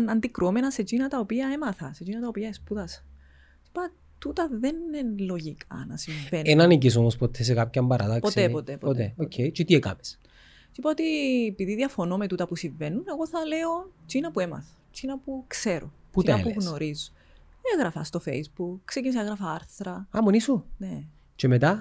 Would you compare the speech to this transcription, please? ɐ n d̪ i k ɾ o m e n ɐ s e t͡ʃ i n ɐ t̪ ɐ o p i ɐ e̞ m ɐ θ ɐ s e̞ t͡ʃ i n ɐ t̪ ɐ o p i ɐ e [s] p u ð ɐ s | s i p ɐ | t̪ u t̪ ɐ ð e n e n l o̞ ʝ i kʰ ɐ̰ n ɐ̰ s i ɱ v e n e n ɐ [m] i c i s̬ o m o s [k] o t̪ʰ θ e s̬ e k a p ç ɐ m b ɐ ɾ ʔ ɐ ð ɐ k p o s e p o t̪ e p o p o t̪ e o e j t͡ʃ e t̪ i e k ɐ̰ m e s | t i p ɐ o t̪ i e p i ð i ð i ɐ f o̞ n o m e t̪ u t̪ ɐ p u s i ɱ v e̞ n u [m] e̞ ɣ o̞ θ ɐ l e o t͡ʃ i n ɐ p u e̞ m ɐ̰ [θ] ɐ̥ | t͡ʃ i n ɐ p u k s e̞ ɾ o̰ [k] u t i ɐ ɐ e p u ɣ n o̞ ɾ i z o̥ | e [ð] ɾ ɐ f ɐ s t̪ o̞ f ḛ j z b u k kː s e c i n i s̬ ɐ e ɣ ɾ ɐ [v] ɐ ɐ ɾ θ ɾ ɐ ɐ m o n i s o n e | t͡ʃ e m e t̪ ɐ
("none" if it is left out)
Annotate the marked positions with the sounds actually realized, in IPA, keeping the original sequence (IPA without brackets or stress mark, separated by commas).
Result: s, n, p, n, θ, p, ɣ, f